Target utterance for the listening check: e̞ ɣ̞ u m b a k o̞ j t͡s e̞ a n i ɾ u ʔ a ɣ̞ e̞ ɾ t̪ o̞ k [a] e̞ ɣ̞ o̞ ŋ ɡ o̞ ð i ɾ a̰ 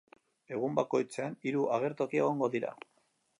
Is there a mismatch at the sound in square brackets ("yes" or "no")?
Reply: yes